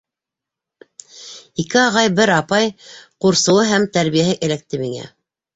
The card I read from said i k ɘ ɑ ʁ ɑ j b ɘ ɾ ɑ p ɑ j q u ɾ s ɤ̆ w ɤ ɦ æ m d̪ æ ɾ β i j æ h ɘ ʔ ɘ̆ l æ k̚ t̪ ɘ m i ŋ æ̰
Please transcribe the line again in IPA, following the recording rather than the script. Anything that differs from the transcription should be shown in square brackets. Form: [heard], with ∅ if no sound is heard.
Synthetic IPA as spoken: i k ɘ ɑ ʁ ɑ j b ɘ ɾ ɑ p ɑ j q u ɾ s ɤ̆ w ɤ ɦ æ m [t̪] æ ɾ β i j æ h ɘ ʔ ɘ̆ l æ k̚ t̪ ɘ m i ŋ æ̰

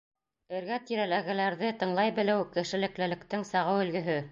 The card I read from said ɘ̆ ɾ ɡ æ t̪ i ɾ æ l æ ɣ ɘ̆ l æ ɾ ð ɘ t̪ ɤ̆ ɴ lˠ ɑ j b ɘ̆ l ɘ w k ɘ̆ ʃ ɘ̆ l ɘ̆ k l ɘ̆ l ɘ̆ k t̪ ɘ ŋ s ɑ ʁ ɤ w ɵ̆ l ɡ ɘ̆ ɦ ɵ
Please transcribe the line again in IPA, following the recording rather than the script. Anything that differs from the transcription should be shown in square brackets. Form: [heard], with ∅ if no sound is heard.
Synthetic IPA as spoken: ɘ̆ ɾ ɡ æ t̪ i ɾ æ l æ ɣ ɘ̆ l æ ɾ ð ɘ t̪ ɤ̆ ɴ lˠ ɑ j b ɘ̆ l ɘ w k ɘ̆ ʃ ɘ̆ l ɘ̆ k l ɘ̆ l ɘ̆ k t̪ ɘ ŋ s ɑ ʁ ɤ w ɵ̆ l ɡ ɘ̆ ɦ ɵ

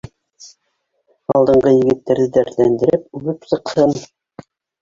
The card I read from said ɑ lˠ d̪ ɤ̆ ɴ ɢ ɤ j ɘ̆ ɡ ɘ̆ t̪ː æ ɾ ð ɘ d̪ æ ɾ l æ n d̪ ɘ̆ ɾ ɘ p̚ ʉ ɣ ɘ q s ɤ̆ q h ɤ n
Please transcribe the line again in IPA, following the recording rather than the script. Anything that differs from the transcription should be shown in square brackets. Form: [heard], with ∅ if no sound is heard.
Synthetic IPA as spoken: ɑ lˠ d̪ ɤ̆ ɴ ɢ ɤ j ɘ̆ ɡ ɘ̆ t̪ː æ ɾ ð ɘ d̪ æ ɾ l æ n d̪ ɘ̆ ɾ ɘ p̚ ʉ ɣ ɘ [p] s ɤ̆ q h ɤ n

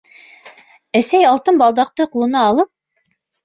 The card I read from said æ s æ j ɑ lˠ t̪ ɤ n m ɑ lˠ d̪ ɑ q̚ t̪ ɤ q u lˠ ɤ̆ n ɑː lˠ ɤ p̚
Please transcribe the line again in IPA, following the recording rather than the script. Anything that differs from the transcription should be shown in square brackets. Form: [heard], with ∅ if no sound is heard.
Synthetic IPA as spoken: æ s æ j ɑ lˠ t̪ ɤ n [b] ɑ lˠ d̪ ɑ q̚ t̪ ɤ q u lˠ ɤ̆ n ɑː lˠ ɤ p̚

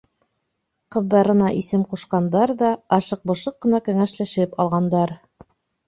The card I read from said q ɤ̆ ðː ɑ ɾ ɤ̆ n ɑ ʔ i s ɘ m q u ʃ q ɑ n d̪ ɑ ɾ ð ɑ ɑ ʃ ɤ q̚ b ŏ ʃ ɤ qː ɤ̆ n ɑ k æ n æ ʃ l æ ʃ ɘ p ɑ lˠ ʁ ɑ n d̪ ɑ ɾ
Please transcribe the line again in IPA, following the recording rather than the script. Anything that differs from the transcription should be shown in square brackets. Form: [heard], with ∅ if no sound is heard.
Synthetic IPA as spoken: q ɤ̆ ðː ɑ ɾ ɤ̆ n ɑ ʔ i s ɘ m q u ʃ q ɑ n d̪ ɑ ɾ ð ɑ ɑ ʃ ɤ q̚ b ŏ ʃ ɤ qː ɤ̆ n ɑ k æ [ŋ] æ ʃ l æ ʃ ɘ p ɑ lˠ ʁ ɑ n d̪ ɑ ɾ

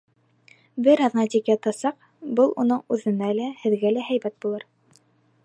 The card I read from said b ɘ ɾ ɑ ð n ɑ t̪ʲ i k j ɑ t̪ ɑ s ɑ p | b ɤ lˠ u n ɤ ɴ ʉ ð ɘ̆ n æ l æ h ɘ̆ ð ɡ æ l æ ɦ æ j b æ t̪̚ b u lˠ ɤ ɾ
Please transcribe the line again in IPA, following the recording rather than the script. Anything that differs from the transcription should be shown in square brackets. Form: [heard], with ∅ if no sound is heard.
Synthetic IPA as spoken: b ɘ ɾ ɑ ð n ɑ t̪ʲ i k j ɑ t̪ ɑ s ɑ [q] | b ɤ lˠ u n ɤ ɴ ʉ ð ɘ̆ n æ l æ h ɘ̆ ð ɡ æ l æ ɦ æ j b æ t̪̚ b u lˠ ɤ ɾ

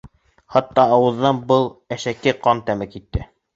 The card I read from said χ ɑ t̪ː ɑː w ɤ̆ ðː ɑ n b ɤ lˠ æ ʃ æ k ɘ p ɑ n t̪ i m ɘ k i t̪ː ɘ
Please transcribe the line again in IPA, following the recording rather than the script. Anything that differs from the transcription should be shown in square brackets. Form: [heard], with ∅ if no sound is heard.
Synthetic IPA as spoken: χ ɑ t̪ː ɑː w ɤ̆ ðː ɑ n b ɤ lˠ æ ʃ æ k ɘ [q] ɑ n t̪ [æ] m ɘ k i t̪ː ɘ

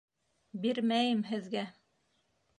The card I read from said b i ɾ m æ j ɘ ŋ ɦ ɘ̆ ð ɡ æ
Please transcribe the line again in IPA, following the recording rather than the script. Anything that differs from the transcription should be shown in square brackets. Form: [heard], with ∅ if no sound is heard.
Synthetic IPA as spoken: b i ɾ m æ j ɘ [m] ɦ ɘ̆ ð ɡ æ

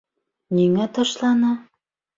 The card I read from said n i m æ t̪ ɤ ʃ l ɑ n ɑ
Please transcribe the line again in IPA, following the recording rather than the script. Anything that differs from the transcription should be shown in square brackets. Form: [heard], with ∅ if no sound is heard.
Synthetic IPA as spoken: n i [ŋ] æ t̪ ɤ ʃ l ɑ n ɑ

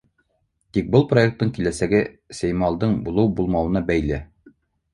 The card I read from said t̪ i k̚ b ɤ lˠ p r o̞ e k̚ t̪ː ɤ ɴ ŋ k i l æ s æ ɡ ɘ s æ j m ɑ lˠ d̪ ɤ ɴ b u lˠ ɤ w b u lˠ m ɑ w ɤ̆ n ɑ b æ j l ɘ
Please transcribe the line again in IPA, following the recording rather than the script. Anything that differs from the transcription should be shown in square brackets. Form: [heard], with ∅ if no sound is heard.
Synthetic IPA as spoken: t̪ i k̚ b ɤ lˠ p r o̞ e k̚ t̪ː ɤ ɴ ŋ k i l æ s æ ɡ ɘ s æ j m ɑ lˠ d̪ ɤ ɴ b u lˠ ɤ w b u lˠ m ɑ w ɤ̆ n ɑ b æ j l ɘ

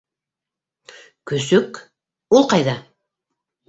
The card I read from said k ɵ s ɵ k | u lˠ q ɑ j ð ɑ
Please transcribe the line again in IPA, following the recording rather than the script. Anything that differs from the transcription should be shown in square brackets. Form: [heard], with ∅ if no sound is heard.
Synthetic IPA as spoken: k ɵ s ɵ k | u lˠ q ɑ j ð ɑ

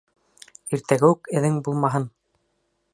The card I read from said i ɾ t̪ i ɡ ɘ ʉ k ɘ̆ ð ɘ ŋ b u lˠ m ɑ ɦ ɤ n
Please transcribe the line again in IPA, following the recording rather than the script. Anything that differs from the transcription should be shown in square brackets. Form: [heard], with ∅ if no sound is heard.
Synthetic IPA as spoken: i ɾ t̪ [æ] ɡ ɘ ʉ k ɘ̆ ð ɘ ŋ b u lˠ m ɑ ɦ ɤ n

